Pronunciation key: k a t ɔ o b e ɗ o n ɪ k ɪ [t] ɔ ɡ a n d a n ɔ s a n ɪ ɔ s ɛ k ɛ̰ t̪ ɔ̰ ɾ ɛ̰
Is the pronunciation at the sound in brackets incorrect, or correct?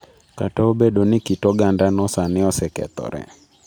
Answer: correct